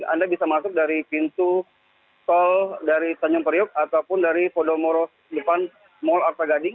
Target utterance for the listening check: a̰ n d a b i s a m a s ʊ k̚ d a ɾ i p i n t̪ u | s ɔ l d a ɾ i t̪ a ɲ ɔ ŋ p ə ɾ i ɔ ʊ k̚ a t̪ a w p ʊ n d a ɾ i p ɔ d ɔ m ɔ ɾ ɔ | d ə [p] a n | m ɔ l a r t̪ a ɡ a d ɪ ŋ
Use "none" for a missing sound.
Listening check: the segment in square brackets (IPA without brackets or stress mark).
p